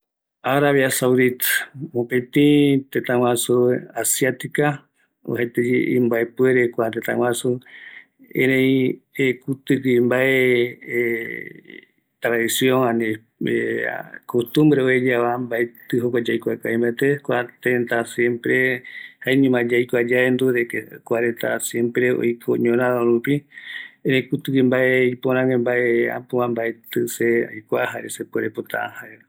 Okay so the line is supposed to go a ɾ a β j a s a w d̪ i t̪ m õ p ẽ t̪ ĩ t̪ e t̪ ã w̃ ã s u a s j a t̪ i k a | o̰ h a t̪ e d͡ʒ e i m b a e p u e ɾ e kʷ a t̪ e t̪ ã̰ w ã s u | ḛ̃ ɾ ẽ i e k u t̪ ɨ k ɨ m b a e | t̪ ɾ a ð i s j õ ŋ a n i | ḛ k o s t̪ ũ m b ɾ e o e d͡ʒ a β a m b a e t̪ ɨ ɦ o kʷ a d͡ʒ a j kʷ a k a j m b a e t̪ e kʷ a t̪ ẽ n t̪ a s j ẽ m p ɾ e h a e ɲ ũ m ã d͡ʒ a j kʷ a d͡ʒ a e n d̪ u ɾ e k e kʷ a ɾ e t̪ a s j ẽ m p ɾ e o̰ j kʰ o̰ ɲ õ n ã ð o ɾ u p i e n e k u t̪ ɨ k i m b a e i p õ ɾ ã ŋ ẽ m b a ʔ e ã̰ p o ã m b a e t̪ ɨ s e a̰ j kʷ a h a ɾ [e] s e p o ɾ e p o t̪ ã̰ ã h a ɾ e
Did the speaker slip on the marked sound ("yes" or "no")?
no